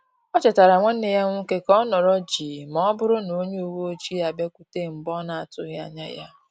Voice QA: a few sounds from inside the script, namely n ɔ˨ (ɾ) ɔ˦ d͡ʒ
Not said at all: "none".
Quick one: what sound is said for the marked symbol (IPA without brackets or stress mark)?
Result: ɾ